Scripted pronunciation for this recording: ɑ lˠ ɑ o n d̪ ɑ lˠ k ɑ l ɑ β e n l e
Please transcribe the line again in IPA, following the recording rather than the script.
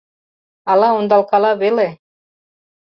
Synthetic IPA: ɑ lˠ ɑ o n d̪ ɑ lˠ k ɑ l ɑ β e l e